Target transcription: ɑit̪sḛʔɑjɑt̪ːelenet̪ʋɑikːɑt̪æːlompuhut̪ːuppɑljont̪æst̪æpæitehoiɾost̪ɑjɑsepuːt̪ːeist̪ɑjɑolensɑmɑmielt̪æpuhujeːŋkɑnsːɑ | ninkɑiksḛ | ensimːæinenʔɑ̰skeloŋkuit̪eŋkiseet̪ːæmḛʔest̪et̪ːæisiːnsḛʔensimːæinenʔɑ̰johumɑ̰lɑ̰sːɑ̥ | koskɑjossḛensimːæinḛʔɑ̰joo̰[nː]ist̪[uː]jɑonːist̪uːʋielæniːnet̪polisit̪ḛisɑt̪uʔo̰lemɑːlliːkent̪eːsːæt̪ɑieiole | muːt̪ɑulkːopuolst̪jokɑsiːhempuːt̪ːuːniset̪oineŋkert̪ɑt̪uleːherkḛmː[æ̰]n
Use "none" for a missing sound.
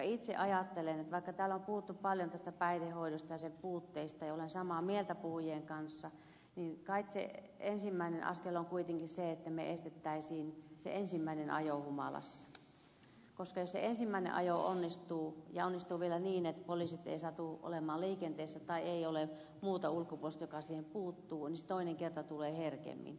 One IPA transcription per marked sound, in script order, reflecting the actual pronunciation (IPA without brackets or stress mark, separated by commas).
nː, uː, ḭ